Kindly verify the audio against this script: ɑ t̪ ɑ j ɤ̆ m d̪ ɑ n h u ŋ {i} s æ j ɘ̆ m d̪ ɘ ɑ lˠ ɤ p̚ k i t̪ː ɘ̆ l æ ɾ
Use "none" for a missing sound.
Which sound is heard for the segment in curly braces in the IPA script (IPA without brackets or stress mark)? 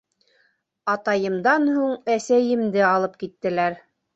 æ